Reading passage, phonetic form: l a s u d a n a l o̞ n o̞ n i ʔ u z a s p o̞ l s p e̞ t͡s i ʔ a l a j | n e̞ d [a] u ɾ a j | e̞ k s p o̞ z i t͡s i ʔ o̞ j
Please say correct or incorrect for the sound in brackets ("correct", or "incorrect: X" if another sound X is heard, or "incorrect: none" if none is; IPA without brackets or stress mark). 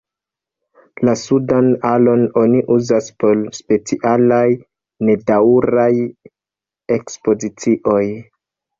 correct